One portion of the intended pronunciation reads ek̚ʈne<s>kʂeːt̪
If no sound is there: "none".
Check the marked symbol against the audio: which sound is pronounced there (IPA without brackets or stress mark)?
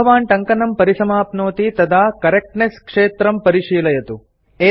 s